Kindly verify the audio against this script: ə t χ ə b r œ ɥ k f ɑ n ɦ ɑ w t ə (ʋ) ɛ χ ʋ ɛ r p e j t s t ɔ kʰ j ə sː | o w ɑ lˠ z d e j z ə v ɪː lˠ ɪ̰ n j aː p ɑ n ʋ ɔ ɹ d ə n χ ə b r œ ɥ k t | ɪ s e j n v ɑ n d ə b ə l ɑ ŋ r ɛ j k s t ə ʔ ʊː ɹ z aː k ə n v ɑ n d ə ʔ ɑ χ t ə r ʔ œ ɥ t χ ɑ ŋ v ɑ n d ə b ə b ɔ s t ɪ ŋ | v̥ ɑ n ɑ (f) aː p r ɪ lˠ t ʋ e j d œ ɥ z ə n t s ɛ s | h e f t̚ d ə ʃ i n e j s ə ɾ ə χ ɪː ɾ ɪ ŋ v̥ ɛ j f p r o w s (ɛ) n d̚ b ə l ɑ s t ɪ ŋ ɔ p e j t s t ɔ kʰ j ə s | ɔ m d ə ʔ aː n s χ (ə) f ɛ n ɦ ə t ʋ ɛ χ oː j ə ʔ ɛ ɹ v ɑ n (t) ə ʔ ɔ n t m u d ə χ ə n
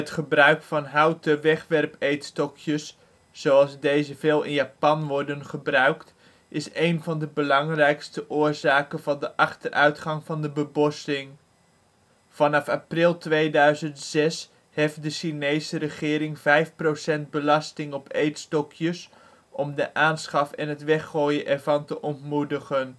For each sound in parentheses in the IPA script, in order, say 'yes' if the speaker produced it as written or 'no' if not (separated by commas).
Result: yes, yes, yes, no, yes